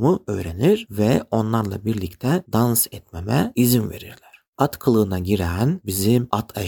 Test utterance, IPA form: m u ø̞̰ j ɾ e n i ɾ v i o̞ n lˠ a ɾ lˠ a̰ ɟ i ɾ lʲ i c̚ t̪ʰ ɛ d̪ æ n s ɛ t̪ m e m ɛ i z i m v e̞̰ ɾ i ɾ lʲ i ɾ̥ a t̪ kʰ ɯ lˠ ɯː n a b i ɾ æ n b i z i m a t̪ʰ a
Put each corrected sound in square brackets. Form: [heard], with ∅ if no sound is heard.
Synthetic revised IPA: m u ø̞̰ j ɾ e n i ɾ v [ɛ] o̞ n lˠ a ɾ lˠ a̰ [b] i ɾ lʲ i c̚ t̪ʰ ɛ d̪ [a] n s ɛ t̪ m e m ɛ i z i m v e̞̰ ɾ i ɾ lʲ [æ] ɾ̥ a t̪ kʰ ɯ lˠ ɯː n a [ɟ] i ɾ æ n b i z i m a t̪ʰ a